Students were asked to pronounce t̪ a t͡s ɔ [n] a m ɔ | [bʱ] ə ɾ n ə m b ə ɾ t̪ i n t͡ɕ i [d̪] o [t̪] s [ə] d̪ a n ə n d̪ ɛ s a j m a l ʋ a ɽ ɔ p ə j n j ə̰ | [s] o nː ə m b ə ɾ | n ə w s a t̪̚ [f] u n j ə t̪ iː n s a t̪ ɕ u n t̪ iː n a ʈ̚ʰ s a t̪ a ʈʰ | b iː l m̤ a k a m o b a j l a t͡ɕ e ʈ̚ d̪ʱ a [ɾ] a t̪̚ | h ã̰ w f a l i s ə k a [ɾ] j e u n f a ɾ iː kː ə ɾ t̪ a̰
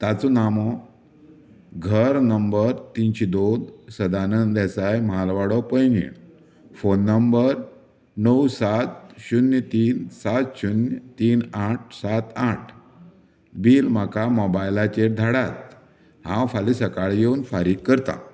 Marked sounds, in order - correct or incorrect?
correct, incorrect: ɡʱ, correct, incorrect: d̪, correct, incorrect: f, incorrect: ɕ, incorrect: ɽ, incorrect: ɭ

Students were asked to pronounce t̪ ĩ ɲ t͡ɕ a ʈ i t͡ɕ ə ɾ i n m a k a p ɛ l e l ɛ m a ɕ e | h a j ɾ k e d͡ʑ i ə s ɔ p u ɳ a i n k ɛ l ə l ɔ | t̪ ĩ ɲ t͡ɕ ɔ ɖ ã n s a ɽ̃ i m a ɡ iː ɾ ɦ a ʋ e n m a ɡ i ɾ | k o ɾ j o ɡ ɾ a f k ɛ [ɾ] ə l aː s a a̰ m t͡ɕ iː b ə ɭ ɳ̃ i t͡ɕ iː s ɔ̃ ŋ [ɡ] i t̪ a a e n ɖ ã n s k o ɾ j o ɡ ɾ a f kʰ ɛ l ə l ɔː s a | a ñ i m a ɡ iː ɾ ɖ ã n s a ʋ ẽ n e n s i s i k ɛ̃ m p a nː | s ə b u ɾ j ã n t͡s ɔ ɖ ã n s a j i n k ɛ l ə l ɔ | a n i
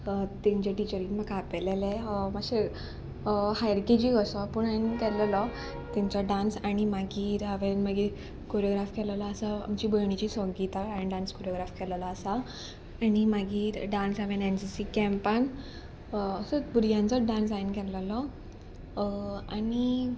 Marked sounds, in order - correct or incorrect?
incorrect: l, correct

